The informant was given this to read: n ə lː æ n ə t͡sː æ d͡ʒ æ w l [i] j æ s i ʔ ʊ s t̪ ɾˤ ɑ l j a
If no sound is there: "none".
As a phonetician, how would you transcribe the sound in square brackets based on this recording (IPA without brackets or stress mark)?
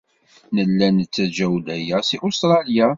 æ